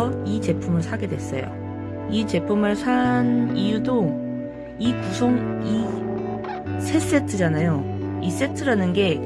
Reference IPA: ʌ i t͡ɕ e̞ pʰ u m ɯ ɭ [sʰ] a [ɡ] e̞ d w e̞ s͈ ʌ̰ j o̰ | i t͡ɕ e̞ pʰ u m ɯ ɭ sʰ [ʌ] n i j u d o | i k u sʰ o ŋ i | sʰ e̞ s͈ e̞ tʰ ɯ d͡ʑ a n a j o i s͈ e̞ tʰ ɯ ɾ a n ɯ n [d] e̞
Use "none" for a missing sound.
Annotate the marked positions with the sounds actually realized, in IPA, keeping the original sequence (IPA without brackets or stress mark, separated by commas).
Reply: sʰ, ɡ, a, ɡ